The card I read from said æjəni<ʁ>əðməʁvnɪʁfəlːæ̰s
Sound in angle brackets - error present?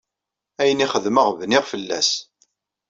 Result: yes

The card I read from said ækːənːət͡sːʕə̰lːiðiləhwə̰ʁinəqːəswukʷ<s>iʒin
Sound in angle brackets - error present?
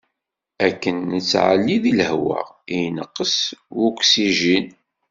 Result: no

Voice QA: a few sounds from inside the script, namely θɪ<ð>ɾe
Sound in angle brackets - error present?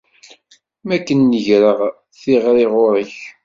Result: yes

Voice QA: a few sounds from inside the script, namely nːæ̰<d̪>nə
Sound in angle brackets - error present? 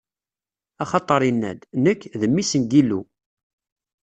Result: no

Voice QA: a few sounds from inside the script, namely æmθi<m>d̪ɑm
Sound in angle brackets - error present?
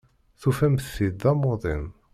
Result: yes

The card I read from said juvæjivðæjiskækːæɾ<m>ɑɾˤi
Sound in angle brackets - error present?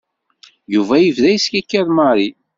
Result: no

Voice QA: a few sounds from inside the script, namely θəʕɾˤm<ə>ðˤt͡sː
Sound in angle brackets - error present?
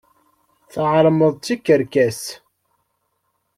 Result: no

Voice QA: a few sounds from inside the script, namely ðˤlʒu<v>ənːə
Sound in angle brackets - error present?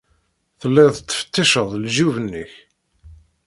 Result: no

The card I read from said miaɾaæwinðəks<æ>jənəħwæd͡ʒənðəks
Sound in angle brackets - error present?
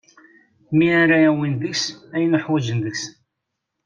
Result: no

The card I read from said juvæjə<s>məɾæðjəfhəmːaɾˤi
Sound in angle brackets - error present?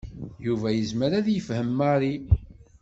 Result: yes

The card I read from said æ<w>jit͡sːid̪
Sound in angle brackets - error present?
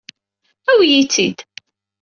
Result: no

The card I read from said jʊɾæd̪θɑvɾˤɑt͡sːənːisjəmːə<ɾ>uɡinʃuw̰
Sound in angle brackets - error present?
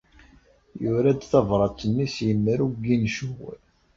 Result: no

